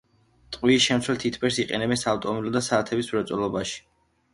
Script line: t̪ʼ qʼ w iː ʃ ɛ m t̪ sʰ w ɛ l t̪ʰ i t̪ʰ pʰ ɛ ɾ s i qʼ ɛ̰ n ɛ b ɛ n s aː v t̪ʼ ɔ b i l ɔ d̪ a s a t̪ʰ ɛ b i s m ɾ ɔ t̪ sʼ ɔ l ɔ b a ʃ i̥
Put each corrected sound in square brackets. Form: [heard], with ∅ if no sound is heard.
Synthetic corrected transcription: t̪ʼ qʼ w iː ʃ ɛ m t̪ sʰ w ɛ l t̪ʰ i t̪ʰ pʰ ɛ ɾ s i qʼ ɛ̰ n ɛ b ɛ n s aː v t̪ʼ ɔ [m] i l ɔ d̪ a s a t̪ʰ ɛ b i s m ɾ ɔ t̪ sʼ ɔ l ɔ b a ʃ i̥